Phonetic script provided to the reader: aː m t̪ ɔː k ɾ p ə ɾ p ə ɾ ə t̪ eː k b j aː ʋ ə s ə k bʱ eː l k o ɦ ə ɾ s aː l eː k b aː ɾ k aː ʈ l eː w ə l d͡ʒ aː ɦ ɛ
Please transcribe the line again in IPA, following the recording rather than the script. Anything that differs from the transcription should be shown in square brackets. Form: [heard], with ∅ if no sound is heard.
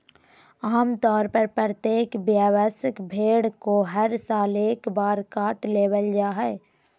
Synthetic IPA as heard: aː m t̪ ɔː [∅] ɾ p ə ɾ p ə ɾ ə t̪ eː k b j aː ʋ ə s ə k bʱ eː [ɽ] k o ɦ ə ɾ s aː l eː k b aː ɾ k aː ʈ l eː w ə l d͡ʒ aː ɦ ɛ

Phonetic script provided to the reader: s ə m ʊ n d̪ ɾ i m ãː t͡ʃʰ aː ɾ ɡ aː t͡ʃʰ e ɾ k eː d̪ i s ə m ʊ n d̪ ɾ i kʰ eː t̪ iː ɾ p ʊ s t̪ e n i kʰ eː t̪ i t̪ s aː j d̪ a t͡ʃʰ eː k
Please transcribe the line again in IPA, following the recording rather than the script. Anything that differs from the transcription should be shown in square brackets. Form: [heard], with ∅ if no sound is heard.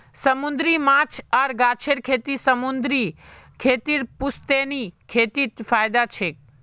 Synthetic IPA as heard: s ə m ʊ n d̪ ɾ i m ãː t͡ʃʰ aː ɾ ɡ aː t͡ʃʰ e ɾ [kʰ] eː [t̪] i s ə m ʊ n d̪ ɾ i kʰ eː t̪ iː ɾ p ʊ s t̪ e n i kʰ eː t̪ i t̪ [f] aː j d̪ a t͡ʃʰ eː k

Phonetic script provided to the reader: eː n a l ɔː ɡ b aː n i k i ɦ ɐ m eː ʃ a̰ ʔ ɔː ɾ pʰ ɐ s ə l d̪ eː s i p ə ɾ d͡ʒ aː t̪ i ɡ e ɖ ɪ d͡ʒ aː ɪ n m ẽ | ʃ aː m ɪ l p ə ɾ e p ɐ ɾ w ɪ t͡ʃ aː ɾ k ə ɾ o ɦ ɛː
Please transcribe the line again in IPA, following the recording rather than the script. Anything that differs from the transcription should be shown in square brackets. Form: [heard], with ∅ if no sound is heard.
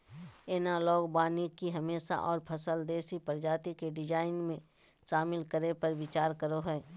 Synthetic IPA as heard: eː n a l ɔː ɡ b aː n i k i ɦ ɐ m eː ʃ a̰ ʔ ɔː ɾ pʰ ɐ s ə l d̪ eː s i p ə ɾ d͡ʒ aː t̪ i [k] e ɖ ɪ d͡ʒ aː ɪ n m ẽ | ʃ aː m ɪ l [k] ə ɾ e p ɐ ɾ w ɪ t͡ʃ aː ɾ k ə ɾ o ɦ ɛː

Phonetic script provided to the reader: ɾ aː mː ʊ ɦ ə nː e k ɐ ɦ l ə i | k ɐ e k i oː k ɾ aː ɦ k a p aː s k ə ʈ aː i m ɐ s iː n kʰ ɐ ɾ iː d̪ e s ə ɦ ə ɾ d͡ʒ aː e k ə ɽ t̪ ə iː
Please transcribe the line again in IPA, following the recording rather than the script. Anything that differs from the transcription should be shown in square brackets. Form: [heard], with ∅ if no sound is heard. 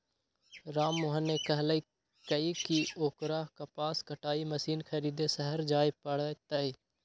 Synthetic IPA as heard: ɾ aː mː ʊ ɦ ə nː e k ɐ ɦ l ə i | k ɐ [i] k i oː k ɾ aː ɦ k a p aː s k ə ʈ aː i m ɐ s iː n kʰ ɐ ɾ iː d̪ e s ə ɦ ə ɾ d͡ʒ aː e [p] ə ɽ t̪ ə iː

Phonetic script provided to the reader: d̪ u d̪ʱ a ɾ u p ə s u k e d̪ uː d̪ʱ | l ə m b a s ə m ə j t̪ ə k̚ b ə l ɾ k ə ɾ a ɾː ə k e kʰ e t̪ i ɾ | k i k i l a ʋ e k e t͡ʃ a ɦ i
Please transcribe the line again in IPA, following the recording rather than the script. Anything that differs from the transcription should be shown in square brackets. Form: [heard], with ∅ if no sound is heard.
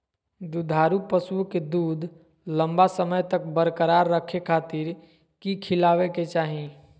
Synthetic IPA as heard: d̪ u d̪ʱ a ɾ u p ə s u k e d̪ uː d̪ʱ | l ə m b a s ə m ə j t̪ ə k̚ b ə [∅] ɾ k ə ɾ a ɾː ə [kʰ] e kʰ [a] t̪ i ɾ | k i [kʰ] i l a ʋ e k e t͡ʃ a ɦ i

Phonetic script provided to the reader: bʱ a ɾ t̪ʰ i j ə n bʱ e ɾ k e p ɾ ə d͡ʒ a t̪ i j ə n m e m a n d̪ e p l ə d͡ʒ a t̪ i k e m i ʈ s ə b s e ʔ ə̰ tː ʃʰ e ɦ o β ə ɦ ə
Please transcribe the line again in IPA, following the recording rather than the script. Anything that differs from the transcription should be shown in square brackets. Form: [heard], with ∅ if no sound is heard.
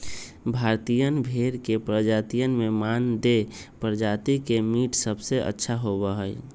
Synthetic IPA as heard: bʱ a ɾ [t̪] i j ə n bʱ e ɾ k e p ɾ ə d͡ʒ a t̪ i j ə n m e m a n d̪ e p [ɾ] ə d͡ʒ a t̪ i k e m i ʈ s ə b s e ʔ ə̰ tː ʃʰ [a] ɦ o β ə ɦ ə

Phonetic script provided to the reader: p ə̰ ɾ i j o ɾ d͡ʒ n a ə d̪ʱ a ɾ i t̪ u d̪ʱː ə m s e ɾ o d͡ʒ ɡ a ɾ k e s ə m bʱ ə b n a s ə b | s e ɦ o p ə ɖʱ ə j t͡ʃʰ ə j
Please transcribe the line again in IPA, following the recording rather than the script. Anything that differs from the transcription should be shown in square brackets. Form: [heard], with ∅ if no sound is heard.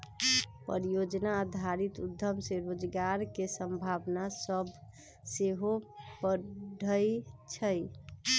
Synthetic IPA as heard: p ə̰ ɾ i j o [∅] d͡ʒ n a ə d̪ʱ a ɾ i t̪ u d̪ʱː ə m s e ɾ o d͡ʒ ɡ a ɾ k e s ə m bʱ [a] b n a s ə b | s e ɦ o p ə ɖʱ ə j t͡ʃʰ ə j

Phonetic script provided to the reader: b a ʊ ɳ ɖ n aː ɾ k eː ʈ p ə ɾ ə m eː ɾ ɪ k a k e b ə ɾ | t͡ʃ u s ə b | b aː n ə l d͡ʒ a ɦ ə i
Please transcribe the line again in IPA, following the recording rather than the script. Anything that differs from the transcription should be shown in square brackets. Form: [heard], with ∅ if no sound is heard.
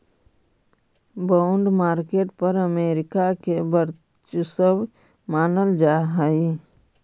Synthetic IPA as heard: b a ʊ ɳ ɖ [m] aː ɾ k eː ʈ p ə ɾ ə m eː ɾ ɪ k a k e b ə ɾ | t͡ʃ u s ə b | [m] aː n ə l d͡ʒ a ɦ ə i

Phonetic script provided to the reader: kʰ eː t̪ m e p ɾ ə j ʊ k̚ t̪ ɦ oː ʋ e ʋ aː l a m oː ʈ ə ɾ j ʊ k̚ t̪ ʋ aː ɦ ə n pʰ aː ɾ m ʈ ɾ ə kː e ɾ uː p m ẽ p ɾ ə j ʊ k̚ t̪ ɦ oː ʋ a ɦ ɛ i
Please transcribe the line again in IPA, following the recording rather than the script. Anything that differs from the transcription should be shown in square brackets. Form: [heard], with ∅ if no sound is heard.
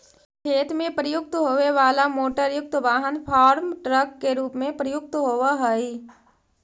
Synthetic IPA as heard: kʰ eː t̪ m [ẽ] p ɾ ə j ʊ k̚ t̪ ɦ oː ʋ e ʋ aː l a m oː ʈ ə ɾ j ʊ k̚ t̪ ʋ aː ɦ ə n pʰ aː ɾ m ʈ ɾ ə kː e ɾ uː p m ẽ p ɾ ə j ʊ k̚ t̪ ɦ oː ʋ a ɦ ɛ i

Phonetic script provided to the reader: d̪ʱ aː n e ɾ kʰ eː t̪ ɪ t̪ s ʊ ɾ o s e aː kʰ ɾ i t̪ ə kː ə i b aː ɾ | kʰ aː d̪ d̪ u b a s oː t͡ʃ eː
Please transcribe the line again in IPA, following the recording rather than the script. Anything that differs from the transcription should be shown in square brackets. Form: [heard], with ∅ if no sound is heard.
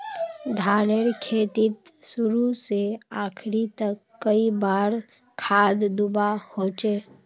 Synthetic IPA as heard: d̪ʱ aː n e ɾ kʰ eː t̪ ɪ t̪ s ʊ ɾ [u] s e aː kʰ ɾ i t̪ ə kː ə i b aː ɾ | kʰ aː d̪ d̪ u b a [h] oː t͡ʃ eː

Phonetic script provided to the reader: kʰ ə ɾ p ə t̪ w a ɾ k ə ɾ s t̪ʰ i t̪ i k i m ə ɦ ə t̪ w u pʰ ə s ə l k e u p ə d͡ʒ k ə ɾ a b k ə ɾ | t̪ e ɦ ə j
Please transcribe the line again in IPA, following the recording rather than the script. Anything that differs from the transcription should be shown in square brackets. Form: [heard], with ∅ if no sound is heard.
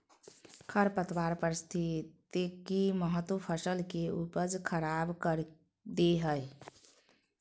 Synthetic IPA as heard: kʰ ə ɾ p ə t̪ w a ɾ [p] ə ɾ s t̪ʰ i t̪ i k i m ə ɦ ə t̪ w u pʰ ə s ə l k e u p ə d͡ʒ [kʰ] ə ɾ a b k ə ɾ | [d̪] e ɦ ə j

